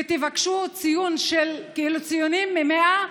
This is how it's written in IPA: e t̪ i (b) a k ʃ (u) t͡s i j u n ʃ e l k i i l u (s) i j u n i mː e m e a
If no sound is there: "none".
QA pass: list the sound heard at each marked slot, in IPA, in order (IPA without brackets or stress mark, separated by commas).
v, u, t͡s